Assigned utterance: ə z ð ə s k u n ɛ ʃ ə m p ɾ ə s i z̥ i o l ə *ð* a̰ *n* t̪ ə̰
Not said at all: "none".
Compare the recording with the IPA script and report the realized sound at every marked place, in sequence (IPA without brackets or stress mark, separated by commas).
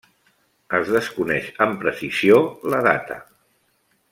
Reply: ð, none